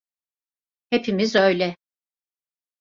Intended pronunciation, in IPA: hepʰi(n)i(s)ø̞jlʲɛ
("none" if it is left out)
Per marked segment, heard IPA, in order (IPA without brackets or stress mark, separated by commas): m, z